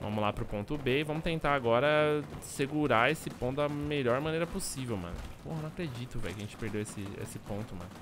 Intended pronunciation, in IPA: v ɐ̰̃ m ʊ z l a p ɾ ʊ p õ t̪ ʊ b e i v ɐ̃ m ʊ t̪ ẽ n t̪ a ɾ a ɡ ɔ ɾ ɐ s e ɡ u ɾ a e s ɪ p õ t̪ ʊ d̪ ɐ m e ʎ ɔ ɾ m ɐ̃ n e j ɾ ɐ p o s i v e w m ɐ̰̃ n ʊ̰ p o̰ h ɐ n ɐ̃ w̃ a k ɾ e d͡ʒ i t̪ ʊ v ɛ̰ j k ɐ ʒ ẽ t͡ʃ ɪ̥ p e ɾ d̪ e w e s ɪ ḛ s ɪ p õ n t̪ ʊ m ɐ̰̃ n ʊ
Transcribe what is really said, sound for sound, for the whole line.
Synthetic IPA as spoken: v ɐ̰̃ m ʊ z l a p ɾ ʊ p õ t̪ ʊ b e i v ɐ̃ m ʊ t̪ ẽ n t̪ a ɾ a ɡ ɔ ɾ ɐ s e ɡ u ɾ a e s ɪ p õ t̪ ʊ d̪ ɐ m e ʎ ɔ ɾ m ɐ̃ n e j ɾ ɐ p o s i v e w m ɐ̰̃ n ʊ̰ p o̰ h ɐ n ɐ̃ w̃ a k ɾ e d͡ʒ i t̪ ʊ v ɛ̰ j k ɐ ʒ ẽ t͡ʃ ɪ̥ p e ɾ d̪ e w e s ɪ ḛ s ɪ p õ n t̪ ʊ m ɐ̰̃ n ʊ